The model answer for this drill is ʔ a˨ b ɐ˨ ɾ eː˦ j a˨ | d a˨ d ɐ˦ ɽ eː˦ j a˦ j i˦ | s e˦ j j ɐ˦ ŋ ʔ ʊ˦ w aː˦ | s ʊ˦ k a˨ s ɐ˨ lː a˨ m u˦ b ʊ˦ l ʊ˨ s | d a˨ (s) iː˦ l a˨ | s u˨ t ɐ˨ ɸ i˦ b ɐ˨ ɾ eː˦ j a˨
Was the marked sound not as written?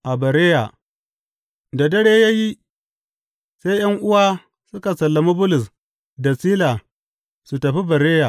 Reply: no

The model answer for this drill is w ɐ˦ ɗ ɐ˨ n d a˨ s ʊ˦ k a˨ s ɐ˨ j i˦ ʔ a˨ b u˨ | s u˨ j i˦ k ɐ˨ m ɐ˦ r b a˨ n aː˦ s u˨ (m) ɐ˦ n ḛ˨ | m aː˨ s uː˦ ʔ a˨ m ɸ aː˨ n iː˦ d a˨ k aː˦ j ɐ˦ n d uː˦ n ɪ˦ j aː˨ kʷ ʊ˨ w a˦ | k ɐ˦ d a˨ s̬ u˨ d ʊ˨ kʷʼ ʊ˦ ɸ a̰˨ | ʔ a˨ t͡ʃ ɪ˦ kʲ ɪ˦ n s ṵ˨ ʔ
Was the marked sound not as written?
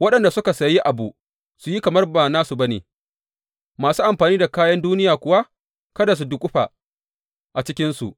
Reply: yes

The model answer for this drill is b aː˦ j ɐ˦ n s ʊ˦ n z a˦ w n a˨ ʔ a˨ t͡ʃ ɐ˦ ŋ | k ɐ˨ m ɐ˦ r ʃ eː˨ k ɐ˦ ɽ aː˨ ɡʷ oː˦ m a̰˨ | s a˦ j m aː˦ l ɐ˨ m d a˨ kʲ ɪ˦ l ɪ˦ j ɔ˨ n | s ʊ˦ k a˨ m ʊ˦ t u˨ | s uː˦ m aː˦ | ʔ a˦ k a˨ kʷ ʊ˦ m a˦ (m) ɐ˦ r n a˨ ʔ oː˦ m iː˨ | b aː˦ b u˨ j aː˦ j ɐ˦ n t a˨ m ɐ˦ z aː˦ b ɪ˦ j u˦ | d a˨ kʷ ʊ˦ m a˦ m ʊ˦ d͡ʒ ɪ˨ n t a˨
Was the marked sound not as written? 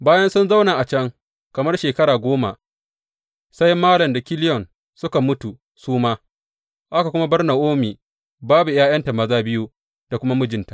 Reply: yes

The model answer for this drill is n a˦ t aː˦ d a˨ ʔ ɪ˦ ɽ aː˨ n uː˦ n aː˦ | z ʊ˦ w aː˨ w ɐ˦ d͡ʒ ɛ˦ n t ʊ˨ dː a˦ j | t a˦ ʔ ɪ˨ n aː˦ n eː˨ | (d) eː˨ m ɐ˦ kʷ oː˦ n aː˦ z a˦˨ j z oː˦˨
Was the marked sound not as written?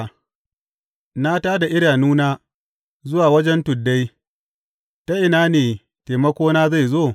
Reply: yes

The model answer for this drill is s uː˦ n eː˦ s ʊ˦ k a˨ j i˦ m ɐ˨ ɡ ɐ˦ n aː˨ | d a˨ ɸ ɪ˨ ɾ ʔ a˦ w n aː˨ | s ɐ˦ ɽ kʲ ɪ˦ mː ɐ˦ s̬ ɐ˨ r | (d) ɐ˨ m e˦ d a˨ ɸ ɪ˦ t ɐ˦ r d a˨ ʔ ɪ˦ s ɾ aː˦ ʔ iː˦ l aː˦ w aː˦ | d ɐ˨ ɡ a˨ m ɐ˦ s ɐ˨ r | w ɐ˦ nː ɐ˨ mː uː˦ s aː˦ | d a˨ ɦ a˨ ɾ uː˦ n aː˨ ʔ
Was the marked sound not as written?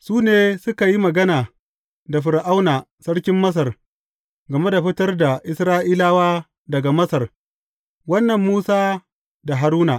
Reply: yes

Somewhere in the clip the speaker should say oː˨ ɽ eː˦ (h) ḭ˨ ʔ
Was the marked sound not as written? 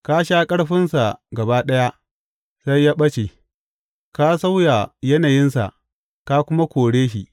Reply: yes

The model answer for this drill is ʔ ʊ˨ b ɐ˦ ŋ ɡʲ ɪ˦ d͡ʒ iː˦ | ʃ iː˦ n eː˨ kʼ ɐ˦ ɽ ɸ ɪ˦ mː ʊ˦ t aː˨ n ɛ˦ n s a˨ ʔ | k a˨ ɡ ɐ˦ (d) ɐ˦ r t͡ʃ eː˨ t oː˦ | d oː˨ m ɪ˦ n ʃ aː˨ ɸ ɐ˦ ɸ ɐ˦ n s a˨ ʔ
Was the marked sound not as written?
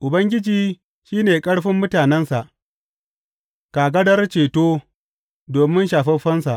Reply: no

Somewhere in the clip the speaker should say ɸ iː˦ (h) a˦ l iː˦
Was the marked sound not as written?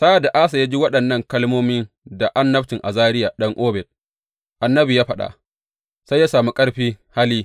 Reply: no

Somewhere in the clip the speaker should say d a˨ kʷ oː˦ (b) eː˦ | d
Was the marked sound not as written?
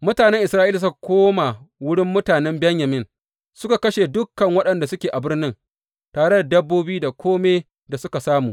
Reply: yes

